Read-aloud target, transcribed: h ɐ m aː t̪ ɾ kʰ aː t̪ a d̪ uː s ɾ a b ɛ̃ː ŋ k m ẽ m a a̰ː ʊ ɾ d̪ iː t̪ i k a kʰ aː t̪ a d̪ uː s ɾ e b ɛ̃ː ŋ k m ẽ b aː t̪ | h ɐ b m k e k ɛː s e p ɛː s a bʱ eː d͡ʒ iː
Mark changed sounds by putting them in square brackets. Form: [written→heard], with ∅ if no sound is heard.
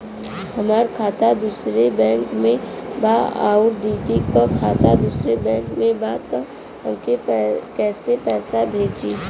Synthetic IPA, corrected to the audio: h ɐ m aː [t̪→∅] ɾ kʰ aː t̪ a d̪ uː s ɾ [a→e] b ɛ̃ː ŋ k m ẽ [m→b] a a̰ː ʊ ɾ d̪ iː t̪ i k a kʰ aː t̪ a d̪ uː s ɾ e b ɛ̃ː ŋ k m ẽ b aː t̪ | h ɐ [b→∅] m k e k ɛː s e p ɛː s a bʱ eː d͡ʒ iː